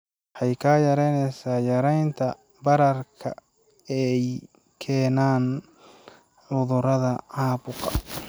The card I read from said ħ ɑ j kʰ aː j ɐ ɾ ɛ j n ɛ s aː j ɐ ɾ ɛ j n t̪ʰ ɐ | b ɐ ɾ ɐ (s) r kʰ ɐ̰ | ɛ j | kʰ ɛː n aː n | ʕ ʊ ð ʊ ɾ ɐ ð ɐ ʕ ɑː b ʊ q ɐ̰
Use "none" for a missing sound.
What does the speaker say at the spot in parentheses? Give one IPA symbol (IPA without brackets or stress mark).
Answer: none